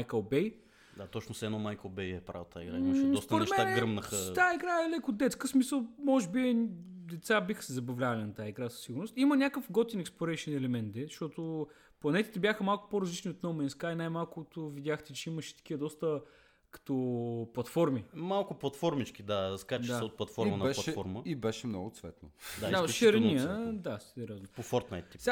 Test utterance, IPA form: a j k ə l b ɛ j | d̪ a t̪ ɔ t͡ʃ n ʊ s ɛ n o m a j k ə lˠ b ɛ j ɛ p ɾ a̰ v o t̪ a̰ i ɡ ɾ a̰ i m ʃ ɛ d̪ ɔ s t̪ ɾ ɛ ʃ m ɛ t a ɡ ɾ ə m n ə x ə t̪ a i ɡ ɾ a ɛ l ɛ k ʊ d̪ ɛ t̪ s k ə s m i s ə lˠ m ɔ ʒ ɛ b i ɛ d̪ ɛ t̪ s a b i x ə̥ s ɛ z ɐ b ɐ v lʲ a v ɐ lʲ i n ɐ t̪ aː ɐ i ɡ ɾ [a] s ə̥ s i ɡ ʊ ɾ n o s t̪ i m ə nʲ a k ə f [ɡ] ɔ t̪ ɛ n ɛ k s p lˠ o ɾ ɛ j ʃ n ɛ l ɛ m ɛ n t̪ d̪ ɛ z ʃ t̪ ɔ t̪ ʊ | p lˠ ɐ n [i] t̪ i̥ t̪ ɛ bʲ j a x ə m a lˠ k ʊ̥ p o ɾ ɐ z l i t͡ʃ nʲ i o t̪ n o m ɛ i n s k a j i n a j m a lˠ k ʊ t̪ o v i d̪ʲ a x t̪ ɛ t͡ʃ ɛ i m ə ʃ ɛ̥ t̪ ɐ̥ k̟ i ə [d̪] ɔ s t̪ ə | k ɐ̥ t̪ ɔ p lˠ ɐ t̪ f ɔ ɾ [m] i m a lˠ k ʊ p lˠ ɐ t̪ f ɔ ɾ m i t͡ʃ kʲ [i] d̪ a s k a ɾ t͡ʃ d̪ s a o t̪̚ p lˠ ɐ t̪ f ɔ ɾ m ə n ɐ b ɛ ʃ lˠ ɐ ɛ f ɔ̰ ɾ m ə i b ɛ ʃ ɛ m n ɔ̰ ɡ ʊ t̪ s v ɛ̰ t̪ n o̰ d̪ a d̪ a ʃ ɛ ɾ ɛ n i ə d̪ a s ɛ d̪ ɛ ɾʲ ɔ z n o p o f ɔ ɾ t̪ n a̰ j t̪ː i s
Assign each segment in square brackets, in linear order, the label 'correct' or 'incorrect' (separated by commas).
correct, correct, incorrect, correct, correct, correct